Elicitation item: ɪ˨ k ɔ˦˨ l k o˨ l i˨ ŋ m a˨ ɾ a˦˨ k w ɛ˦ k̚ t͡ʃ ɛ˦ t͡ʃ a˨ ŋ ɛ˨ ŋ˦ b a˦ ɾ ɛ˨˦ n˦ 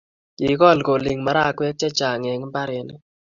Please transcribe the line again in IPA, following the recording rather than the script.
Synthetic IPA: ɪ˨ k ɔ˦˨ l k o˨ l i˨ ŋ m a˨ ɾ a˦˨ k w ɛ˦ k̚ t͡ʃ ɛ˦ t͡ʃ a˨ ŋ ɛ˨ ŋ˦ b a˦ ɾ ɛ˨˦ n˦